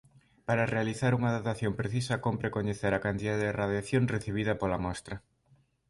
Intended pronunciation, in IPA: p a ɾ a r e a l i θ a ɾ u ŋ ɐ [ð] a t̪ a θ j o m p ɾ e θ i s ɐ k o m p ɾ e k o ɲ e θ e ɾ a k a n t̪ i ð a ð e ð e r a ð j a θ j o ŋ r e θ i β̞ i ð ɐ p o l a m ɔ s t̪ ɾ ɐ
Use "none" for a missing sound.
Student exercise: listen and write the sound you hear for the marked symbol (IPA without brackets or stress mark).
ð